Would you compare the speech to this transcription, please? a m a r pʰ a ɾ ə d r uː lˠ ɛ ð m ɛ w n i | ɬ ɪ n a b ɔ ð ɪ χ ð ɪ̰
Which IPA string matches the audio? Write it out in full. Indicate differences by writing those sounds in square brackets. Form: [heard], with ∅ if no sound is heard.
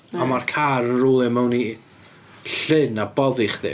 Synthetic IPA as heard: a m a r [kʰ] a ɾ ə [n] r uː lˠ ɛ [∅] m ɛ w n i | ɬ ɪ n a b ɔ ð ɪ χ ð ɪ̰